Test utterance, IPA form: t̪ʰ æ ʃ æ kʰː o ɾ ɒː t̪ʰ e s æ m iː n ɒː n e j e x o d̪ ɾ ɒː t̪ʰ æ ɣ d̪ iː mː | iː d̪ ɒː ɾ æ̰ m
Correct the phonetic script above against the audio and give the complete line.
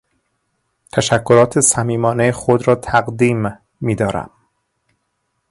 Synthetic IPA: t̪ʰ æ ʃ æ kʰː o ɾ ɒː t̪ʰ e s æ m iː m ɒː n e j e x o d̪ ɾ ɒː t̪ʰ æ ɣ d̪ iː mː | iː d̪ ɒː ɾ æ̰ m